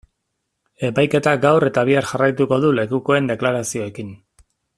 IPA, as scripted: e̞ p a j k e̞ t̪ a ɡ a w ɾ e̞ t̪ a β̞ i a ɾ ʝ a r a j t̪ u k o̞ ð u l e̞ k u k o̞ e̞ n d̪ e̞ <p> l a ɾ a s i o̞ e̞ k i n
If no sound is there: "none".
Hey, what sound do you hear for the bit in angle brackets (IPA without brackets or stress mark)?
k